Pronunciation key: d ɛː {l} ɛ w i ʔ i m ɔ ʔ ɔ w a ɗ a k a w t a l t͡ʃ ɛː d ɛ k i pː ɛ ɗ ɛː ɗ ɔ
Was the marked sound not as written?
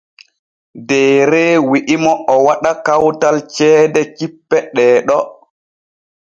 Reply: yes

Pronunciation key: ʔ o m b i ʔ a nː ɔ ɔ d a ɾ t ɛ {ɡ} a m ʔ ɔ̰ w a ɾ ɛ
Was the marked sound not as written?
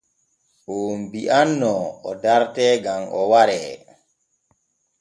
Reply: no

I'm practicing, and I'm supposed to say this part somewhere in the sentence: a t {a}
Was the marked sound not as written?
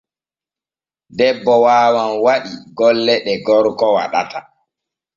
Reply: no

